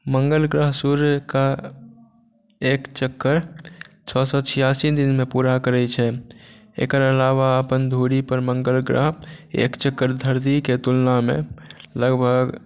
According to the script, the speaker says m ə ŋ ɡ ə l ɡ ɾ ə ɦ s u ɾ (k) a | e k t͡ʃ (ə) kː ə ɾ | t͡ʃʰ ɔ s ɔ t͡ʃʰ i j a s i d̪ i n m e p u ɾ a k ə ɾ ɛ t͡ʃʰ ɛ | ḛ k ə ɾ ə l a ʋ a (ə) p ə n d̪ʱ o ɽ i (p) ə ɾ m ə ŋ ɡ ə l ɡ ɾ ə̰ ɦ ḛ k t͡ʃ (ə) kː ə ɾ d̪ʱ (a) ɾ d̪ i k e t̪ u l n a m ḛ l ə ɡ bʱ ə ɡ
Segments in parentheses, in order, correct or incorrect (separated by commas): correct, correct, correct, correct, correct, incorrect